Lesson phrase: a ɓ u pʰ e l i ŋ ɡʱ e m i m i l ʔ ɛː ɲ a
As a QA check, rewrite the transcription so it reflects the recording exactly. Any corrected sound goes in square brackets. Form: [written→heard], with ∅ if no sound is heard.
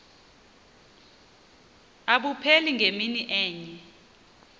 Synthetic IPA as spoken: a ɓ u pʰ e l i ŋ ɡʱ e m i [m→n] i [l→∅] ʔ ɛː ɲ [a→ɛ]